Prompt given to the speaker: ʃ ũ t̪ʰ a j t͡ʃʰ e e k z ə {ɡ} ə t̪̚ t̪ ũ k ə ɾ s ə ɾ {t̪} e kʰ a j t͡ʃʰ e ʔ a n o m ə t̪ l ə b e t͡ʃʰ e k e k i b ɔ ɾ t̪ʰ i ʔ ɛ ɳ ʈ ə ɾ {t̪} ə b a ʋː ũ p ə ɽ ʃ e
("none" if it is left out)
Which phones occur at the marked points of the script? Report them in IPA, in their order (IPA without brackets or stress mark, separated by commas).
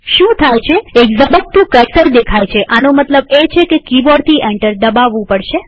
b, d̪, d̪